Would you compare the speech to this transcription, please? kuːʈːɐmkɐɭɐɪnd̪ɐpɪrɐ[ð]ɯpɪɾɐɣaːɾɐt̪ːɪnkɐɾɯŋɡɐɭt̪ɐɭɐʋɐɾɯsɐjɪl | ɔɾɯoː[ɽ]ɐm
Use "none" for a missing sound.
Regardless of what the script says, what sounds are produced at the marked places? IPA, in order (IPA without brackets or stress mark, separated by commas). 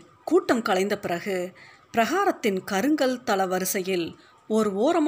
ɣ, ɾ